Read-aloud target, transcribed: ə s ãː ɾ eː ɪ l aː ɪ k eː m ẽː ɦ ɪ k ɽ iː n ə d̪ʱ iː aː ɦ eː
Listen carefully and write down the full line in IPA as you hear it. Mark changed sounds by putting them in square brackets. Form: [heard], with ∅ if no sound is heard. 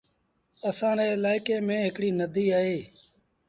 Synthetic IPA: ə s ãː ɾ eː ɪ l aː ɪ k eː m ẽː ɦ ɪ k ɽ iː n ə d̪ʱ iː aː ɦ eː